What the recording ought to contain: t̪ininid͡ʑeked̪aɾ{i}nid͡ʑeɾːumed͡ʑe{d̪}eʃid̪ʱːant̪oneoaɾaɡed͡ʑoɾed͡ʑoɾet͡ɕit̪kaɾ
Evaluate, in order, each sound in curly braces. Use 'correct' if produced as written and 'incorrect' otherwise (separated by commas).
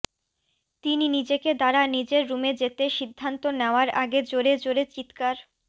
incorrect, incorrect